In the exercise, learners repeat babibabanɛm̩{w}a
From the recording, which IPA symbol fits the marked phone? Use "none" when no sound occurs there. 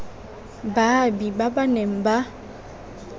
b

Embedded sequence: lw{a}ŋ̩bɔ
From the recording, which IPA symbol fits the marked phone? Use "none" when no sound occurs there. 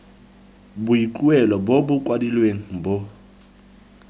e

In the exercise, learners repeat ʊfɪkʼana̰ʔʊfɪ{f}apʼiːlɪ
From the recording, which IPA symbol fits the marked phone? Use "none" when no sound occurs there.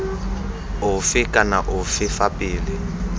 f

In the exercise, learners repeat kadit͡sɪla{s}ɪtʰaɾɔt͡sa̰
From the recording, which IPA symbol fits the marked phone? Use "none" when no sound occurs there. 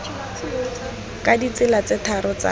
t͡s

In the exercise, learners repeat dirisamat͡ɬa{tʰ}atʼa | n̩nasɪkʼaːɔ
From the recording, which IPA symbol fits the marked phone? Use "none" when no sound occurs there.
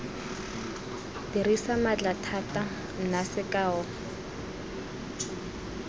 tʰ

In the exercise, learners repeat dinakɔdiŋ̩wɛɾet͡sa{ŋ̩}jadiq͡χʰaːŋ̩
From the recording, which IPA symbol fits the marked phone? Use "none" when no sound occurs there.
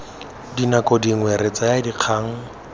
none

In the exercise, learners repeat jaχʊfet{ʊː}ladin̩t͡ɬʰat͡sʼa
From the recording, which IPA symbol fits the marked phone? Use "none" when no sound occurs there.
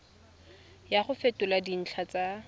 ʊ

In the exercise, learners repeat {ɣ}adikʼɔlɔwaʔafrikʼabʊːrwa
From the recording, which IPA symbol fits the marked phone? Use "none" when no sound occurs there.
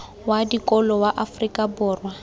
w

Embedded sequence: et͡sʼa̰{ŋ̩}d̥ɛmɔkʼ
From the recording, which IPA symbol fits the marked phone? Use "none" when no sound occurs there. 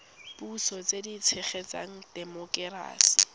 ŋ̩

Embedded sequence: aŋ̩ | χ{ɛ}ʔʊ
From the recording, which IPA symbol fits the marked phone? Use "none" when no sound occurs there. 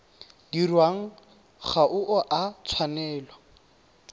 a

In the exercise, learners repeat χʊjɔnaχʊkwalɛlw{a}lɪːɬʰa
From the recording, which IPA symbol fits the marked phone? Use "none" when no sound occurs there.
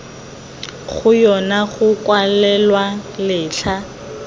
a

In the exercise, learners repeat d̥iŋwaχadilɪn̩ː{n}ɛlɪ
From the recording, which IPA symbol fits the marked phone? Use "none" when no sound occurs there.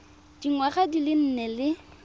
n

